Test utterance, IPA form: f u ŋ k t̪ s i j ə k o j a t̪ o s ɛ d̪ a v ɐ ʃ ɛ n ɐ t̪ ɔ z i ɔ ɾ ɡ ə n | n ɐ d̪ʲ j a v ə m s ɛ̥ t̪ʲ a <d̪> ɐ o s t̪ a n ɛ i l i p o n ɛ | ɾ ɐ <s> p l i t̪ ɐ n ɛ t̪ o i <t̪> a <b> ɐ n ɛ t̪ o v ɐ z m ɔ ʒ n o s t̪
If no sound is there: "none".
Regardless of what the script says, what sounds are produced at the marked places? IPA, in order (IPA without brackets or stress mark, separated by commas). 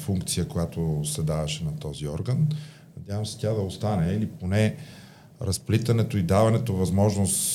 d̪, s, d̪, v